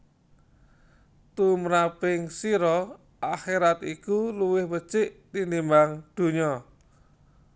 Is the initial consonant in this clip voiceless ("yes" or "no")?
yes